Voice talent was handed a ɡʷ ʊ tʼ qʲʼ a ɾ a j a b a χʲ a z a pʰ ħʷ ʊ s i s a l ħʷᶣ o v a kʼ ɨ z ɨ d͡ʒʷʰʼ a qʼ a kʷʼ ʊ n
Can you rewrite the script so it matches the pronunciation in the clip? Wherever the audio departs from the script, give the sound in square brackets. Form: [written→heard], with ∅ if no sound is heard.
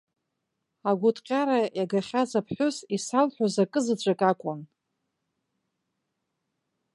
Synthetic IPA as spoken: a ɡʷ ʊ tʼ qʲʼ a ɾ a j a [b→ɡ] a χʲ a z a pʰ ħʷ ʊ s i s a l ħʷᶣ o [v→z] a kʼ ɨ z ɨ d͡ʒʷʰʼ a [qʼ→kʼ] a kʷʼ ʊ n

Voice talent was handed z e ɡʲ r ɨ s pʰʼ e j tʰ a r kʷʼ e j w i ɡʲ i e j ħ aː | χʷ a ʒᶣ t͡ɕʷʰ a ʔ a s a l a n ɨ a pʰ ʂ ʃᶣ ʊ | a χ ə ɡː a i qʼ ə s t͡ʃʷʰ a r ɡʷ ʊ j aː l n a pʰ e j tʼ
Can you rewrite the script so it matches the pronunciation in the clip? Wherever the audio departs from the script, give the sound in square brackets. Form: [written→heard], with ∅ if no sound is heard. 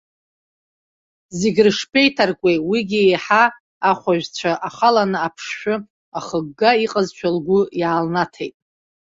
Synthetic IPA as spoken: z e ɡʲ r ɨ [s→ʂ] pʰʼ e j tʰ a r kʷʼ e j w i ɡʲ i e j ħ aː | χʷ a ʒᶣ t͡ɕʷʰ a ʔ a [s→χ] a l a n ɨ a pʰ ʂ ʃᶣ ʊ | a χ ə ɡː a i qʼ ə [s→z] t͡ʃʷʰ a [r→l] ɡʷ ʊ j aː l n a [pʰ→tʰ] e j tʼ

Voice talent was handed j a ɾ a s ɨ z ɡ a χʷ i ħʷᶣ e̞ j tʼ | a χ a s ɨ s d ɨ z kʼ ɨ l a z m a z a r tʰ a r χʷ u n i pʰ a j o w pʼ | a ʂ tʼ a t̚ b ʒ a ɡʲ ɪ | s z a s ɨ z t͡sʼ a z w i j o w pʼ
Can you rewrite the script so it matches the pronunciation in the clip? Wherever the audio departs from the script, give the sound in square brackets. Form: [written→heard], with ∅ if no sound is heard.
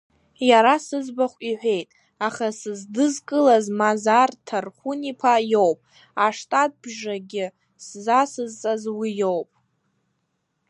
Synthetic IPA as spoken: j a ɾ a s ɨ z [ɡ→b] a χʷ i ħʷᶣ e̞ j tʼ | a χ a s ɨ [s→z] d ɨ z kʼ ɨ l a z m a z a r tʰ a r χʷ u n i pʰ a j o w pʼ | a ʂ tʼ a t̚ b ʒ a ɡʲ ɪ | s z a s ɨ z t͡sʼ a z w i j o w pʼ

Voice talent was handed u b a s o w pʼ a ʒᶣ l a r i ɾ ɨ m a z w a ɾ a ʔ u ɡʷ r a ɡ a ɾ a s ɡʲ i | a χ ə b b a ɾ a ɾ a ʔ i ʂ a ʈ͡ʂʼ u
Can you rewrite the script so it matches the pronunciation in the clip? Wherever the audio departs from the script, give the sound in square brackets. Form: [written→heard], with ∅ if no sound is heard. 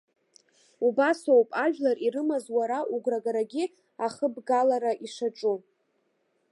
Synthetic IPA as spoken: u b a s o w pʼ a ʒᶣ l a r i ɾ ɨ m a z w a ɾ a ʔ u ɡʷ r a ɡ a ɾ a [s→∅] ɡʲ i | a χ ə b [b→ɡ] a [ɾ→l] a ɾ a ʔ i ʂ a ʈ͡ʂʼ u

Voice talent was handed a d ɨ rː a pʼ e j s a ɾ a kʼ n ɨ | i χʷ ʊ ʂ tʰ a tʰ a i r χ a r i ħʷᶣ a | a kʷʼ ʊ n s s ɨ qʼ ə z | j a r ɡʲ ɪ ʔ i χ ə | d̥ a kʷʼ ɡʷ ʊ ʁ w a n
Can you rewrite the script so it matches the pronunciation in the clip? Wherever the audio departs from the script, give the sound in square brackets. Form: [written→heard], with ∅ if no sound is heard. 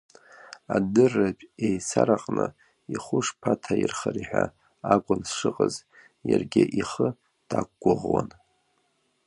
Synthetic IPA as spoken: a d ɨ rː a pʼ e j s a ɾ a [kʼ→qʼ] n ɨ | i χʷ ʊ ʂ [tʰ→pʰ] a tʰ a i r χ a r i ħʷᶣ a | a kʷʼ ʊ n s [s→ʂ] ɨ qʼ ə z | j a r ɡʲ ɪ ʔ i χ ə | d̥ a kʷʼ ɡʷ ʊ ʁ w a n

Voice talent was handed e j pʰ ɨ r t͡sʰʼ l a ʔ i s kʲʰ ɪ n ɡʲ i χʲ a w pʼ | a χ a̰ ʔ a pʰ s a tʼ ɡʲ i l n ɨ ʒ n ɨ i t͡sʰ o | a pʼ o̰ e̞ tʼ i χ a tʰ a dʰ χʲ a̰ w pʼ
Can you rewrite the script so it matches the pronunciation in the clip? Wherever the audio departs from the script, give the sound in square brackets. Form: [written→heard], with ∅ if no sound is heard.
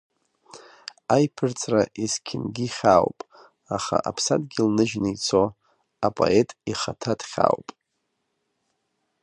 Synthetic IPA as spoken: [e→a] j pʰ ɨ r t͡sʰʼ [l→r] a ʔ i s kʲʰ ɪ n ɡʲ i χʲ a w pʼ | a χ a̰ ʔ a pʰ s a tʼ ɡʲ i l n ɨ ʒ n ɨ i t͡sʰ o | a pʼ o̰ e̞ tʼ i χ a tʰ a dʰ χʲ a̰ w pʼ

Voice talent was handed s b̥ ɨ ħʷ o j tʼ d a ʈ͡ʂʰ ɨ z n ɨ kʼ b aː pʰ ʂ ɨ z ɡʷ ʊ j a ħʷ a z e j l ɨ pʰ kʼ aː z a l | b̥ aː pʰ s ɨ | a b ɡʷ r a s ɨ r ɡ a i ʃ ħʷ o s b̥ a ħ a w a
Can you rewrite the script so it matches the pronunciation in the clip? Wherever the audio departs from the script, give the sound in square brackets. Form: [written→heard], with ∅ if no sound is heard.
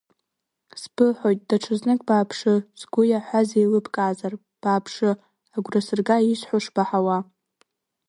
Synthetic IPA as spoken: s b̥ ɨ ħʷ o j tʼ d a ʈ͡ʂʰ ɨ z n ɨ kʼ b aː pʰ ʂ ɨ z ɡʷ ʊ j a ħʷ a z e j l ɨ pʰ kʼ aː z a [l→r] | b̥ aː pʰ [s→ʂ] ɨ | a [b→∅] ɡʷ r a s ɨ r ɡ a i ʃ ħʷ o [s→ʂ] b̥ a ħ a w a

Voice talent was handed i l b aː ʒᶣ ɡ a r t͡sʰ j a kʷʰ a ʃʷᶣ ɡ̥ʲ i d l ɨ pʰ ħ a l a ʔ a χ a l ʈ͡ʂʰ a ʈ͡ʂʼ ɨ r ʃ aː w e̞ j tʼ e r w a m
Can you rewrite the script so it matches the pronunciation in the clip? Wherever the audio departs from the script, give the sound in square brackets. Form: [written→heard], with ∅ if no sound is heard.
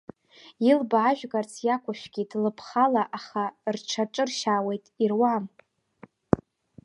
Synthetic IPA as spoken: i l b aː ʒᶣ ɡ a r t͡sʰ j a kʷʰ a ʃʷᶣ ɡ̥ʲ i d l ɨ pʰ [ħ→χ] a l a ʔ a χ a [l→r] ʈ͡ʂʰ a ʈ͡ʂʼ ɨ r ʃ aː w e̞ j tʼ [e→i] r w a m

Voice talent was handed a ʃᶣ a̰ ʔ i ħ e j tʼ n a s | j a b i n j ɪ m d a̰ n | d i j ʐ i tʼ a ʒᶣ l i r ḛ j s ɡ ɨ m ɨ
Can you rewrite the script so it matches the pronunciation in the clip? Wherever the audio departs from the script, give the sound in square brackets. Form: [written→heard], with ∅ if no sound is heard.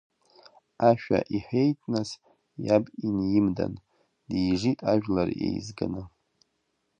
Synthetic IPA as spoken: a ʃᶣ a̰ ʔ i ħ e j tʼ n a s | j a b i n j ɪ m d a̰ n | d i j ʐ i tʼ a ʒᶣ l [i→a] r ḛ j [s→z] ɡ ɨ [m→n] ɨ

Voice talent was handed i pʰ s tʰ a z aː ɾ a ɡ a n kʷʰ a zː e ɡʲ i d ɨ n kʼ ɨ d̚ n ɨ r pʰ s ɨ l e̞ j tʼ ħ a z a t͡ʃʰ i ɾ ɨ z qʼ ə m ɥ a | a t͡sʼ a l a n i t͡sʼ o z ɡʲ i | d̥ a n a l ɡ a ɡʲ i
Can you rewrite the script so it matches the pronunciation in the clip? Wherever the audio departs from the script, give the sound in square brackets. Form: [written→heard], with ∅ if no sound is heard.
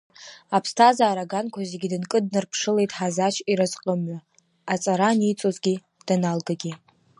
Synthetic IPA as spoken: [i→a] pʰ s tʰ a z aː ɾ a ɡ a n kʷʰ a [zː→z] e ɡʲ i d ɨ n kʼ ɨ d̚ n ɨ r pʰ [s→ʂ] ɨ l e̞ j tʼ ħ a z a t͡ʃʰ i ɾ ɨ z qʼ ə m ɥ a | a t͡sʼ a [l→ɾ] a n i t͡sʼ o z ɡʲ i | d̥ a n a l ɡ a ɡʲ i

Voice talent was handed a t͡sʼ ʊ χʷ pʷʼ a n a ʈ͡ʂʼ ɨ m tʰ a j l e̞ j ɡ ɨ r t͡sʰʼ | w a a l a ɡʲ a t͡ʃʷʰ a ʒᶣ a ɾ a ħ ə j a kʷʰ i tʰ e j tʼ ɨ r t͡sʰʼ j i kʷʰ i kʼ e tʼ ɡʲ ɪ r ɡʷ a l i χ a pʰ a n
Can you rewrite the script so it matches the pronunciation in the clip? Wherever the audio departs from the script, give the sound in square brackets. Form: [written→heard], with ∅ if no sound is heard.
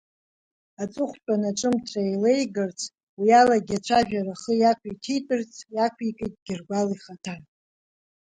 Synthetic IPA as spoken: a t͡sʼ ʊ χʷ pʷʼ a n a ʈ͡ʂʼ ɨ m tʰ a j l e̞ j ɡ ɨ r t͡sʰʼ | w [a→i] a l a ɡʲ a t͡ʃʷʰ a ʒᶣ a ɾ a [ħ→χ] ə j a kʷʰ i tʰ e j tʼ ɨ r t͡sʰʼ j [i→a] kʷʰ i kʼ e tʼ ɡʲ ɪ r ɡʷ a l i χ a [pʰ→tʰ] a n

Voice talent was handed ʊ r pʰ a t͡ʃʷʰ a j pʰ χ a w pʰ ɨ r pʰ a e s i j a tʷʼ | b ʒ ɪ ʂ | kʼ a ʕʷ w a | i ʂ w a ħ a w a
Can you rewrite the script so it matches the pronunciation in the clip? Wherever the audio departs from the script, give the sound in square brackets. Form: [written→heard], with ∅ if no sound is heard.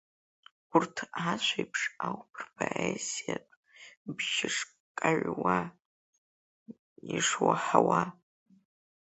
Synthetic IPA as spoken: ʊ r [pʰ→tʰ] a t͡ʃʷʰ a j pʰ [χ→ʂ] a w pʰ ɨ r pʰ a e s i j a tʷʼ | b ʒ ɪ ʂ | kʼ a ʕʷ w a | i ʂ w a ħ a w a

